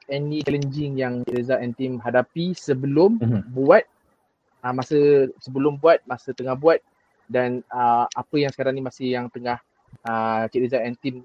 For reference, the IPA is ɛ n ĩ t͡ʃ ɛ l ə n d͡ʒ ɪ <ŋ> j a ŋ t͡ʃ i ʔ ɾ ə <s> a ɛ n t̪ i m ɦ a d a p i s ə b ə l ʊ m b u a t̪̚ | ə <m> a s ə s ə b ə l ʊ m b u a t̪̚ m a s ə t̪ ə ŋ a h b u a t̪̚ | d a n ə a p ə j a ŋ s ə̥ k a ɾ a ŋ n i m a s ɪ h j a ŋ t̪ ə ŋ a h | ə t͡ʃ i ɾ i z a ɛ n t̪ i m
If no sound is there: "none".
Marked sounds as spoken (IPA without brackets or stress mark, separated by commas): ŋ, z, m